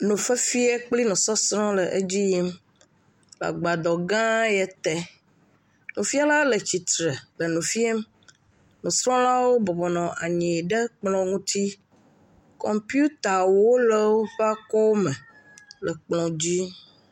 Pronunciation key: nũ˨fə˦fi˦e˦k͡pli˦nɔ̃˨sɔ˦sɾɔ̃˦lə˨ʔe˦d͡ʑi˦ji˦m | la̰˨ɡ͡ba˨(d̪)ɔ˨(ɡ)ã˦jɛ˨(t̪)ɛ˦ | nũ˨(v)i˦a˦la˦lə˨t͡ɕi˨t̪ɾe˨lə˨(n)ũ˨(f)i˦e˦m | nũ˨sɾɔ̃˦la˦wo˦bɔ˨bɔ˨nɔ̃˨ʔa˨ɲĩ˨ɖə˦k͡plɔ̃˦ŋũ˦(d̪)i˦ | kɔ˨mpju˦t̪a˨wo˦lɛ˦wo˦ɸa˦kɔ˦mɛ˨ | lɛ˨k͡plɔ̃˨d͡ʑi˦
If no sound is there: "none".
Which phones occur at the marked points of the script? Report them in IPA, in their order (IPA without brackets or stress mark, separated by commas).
d̪, ɡ, t̪, f, n, f, t̪